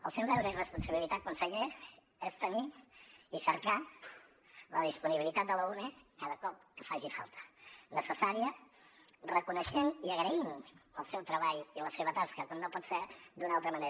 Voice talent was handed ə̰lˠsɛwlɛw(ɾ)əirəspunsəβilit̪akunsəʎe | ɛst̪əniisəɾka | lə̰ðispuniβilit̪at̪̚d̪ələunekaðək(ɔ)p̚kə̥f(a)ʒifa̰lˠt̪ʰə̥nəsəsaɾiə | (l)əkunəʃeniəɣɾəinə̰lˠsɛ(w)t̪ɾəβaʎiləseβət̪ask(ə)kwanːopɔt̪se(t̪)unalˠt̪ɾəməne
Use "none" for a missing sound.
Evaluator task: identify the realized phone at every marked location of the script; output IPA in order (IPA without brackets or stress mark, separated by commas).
ɾ, ɔ, a, r, w, ə, d̪